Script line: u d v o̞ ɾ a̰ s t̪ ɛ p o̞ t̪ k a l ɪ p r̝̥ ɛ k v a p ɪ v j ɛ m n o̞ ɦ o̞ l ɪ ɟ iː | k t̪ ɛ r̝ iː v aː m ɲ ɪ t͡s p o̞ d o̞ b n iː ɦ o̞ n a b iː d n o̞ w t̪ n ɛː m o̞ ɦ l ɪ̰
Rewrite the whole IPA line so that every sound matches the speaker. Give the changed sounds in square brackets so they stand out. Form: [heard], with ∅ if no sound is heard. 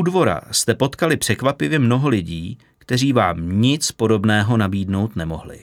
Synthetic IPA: u d v o̞ ɾ a̰ s t̪ ɛ p o̞ t̪ k a l ɪ p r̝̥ ɛ k v a p ɪ v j ɛ m n o̞ ɦ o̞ l ɪ ɟ iː | k t̪ ɛ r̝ iː v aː m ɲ ɪ t͡s p o̞ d o̞ b n [ɛː] ɦ o̞ n a b iː d n o̞ w t̪ n [ɛ] m o̞ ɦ l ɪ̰